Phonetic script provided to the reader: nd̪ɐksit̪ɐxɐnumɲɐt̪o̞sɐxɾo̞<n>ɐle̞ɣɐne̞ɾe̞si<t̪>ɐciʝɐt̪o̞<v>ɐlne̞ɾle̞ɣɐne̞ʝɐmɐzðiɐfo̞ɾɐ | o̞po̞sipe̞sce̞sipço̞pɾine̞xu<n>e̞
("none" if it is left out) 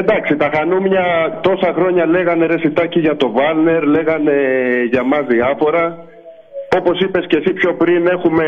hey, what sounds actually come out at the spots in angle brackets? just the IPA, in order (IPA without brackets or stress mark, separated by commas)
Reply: ɲ, t̪, v, m